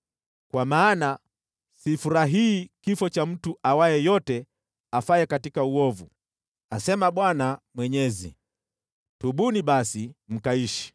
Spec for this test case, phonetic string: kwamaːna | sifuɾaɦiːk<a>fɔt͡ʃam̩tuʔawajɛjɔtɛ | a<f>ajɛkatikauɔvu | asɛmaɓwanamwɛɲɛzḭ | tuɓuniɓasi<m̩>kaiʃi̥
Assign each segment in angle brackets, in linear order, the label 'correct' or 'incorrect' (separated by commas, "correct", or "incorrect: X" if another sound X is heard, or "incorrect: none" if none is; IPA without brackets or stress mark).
incorrect: i, correct, correct